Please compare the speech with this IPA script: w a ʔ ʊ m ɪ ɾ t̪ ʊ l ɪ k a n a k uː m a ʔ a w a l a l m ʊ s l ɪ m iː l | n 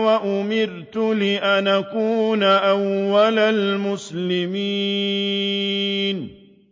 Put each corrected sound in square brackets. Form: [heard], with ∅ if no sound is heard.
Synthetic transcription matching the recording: w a ʔ ʊ m ɪ ɾ t̪ ʊ l ɪ [ʔ] a n a k uː [n] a ʔ a [wː] a l a l m ʊ s l ɪ m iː [∅] | n